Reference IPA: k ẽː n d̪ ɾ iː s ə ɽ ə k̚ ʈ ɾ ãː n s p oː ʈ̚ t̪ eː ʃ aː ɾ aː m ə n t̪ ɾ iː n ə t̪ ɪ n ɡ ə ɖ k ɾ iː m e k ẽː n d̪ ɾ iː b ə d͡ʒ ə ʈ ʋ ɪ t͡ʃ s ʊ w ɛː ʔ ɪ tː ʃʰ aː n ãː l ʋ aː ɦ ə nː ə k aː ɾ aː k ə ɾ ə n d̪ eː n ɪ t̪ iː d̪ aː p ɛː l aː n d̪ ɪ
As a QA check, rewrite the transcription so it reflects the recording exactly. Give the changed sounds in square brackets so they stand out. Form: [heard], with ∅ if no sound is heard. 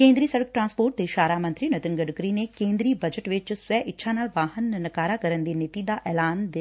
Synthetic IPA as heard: k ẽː n d̪ ɾ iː s ə ɽ ə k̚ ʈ ɾ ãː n s p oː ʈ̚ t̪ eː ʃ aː ɾ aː m ə n t̪ ɾ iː n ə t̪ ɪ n ɡ ə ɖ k ɾ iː [n] e k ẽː n d̪ ɾ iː b ə d͡ʒ ə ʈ ʋ ɪ t͡ʃ s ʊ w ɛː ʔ ɪ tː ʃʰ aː n [aː] l ʋ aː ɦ ə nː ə k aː ɾ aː k ə ɾ ə n d̪ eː n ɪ t̪ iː d̪ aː [ʔ] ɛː l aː n d̪ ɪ